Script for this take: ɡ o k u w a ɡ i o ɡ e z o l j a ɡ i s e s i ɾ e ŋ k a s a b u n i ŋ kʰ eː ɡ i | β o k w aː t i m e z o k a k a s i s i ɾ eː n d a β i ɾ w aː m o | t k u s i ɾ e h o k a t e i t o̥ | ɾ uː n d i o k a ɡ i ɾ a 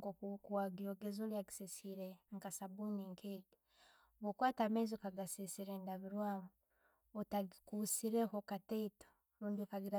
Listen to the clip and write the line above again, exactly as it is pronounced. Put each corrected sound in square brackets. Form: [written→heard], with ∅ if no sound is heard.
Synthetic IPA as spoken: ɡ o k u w a ɡ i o ɡ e z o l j a ɡ i s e s i ɾ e ŋ k a s a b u n i ŋ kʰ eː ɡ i | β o k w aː t [i→a] m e z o k a [k→ɡ] a s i s i ɾ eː n d a β i ɾ w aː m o | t k u s i ɾ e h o k a t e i t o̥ | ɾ uː n d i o k a ɡ i ɾ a

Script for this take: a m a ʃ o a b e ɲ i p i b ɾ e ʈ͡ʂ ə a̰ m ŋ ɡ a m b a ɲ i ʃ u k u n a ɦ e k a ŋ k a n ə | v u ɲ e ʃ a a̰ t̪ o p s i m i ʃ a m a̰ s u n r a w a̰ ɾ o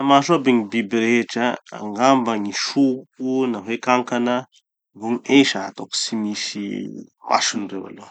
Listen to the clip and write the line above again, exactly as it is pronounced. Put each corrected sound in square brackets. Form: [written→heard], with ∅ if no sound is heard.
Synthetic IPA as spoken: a m a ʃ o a b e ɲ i [p→b] i b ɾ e ʈ͡ʂ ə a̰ [m→∅] ŋ ɡ a m b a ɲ i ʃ u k u n a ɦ e k a ŋ k a n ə | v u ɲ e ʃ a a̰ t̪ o [p→k] s i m i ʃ [a→i] m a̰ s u n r [a→e] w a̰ [ɾ→l] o

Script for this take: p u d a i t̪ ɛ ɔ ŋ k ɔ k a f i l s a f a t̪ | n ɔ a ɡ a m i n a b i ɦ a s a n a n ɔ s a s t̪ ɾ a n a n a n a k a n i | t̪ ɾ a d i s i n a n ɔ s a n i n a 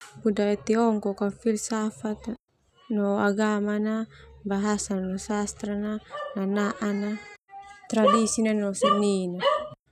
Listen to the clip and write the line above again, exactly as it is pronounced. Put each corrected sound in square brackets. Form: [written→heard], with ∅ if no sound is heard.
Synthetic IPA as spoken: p u d a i t̪ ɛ ɔ ŋ k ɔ k a f i l s a f a t̪ | n ɔ a ɡ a m [i→a] n a b [i→a] ɦ a s a n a n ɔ s a s t̪ ɾ a n a n a n a [k→ʔ] a n [i→a] | t̪ ɾ a d i s i n a n ɔ s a n i n a

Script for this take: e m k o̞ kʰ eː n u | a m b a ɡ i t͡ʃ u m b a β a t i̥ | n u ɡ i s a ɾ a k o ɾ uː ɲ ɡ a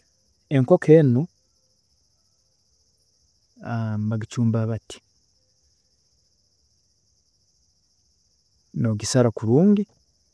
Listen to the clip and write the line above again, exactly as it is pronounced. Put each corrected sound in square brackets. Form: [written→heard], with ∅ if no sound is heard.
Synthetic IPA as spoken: e [m→ŋ] k o̞ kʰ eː n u | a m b a ɡ i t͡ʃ [u→uː] m b a β a t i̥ | n [u→o] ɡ i s a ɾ a k [o→u] ɾ uː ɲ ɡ [a→i]

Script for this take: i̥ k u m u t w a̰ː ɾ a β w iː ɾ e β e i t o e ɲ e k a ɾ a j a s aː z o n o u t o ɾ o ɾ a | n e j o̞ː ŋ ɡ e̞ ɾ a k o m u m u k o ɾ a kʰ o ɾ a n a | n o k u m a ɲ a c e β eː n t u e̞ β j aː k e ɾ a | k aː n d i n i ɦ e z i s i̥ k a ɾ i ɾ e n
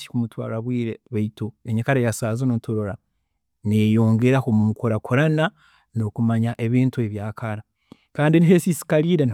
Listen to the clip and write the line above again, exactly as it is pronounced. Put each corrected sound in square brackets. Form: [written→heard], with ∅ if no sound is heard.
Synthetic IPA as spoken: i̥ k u m u t w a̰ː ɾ a β w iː ɾ e β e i t o e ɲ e k a ɾ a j a s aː z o n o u t o ɾ o ɾ a | n e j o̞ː ŋ ɡ e̞ ɾ a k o m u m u k o ɾ a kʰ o ɾ a n a | n o k u m a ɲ a [c→ʔ] e β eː n t u e̞ β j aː k [e→a] ɾ a | k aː n d i n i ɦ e [z→s] i s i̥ k a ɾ i ɾ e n

